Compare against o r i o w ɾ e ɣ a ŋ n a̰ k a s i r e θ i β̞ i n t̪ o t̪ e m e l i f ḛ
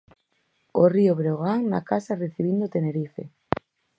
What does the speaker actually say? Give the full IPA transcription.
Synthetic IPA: o r i o β ɾ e ɣ a ŋ n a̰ k a s a r e θ i β̞ i n d̪ o t̪ e n e ɾ i f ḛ